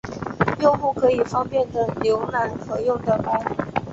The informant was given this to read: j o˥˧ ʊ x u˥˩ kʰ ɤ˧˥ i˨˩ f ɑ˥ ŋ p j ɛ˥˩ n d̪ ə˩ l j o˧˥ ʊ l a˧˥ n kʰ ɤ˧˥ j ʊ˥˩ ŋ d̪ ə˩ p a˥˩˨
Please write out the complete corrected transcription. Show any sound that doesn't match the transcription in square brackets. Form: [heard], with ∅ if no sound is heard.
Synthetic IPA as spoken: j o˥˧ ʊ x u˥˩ kʰ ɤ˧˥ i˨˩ f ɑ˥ ŋ p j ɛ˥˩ n d̪ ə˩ l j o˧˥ ʊ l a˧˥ n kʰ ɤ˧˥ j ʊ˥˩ ŋ d̪ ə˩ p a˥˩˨